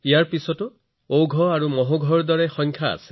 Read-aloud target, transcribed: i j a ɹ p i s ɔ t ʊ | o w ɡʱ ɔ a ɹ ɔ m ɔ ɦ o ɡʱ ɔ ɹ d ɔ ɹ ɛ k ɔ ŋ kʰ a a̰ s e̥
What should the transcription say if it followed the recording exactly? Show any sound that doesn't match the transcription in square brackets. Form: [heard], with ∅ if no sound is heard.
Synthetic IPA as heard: i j a ɹ p i s ɔ t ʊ | o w ɡʱ ɔ a ɹ [u] m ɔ ɦ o ɡʱ ɔ ɹ d ɔ ɹ ɛ [x] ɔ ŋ kʰ a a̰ s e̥